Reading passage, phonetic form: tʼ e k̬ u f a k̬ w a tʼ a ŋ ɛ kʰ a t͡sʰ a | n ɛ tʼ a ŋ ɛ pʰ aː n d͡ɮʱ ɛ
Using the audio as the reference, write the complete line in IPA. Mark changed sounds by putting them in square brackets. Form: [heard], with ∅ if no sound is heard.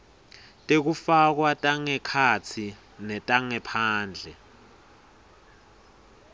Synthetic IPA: tʼ e k̬ u f a k̬ w a tʼ a ŋ ɛ kʰ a t͡sʰ [i] | n ɛ tʼ a ŋ ɛ pʰ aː n d͡ɮʱ ɛ